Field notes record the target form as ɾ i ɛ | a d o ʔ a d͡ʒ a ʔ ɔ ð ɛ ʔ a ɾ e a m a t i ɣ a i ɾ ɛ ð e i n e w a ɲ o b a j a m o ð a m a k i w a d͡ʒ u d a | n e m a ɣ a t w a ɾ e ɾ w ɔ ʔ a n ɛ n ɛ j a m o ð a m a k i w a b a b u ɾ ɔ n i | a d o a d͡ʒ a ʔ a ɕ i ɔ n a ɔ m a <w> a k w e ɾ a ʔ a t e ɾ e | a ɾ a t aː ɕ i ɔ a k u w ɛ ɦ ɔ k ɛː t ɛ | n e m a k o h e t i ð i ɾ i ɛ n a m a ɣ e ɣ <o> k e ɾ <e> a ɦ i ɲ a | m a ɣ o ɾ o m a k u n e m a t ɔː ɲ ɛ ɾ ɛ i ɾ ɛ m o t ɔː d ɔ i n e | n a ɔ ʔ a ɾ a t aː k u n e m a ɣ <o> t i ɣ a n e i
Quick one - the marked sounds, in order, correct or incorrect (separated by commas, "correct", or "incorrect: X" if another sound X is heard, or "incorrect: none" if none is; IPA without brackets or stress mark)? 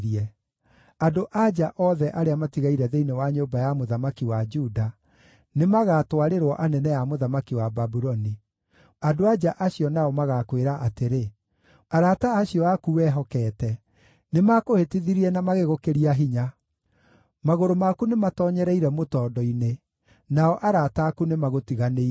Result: incorrect: ɣ, correct, incorrect: i, correct